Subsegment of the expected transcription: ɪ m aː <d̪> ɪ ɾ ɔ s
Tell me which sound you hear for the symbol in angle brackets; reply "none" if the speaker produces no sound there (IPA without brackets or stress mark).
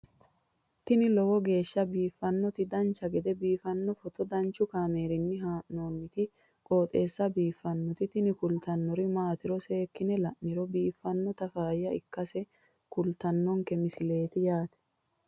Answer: t̪